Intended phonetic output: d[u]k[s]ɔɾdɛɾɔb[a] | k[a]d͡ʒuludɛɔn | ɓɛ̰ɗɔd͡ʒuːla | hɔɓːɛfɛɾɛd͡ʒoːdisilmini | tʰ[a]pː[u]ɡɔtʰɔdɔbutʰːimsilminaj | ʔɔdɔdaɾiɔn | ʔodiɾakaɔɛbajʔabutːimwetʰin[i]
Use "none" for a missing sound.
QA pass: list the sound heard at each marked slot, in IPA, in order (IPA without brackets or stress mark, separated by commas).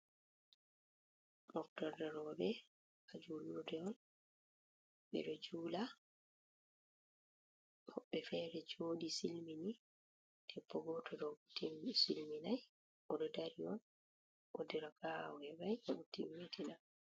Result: ɔ, t, ɛ, a, ɛ, ɔ, a